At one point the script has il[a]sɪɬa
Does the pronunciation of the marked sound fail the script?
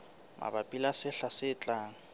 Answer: no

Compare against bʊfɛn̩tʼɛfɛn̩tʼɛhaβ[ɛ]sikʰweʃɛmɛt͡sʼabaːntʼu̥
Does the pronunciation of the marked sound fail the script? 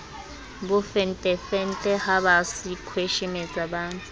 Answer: yes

